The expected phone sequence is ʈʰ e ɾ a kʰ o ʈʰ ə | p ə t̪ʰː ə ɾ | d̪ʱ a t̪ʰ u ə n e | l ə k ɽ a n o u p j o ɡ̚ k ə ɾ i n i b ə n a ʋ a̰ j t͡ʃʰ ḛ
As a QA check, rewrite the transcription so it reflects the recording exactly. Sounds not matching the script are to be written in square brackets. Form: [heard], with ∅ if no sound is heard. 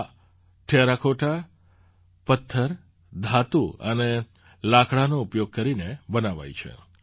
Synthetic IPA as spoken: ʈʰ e ɾ a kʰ o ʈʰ [a] | p ə t̪ʰː ə ɾ | d̪ʱ a [t̪] u ə n e | l [a] k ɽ a n o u p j o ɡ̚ k ə ɾ i n [e] b ə n a ʋ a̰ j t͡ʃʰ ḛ